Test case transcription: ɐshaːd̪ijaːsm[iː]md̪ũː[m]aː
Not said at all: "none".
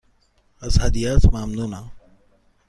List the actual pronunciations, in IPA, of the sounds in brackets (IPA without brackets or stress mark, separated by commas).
aː, n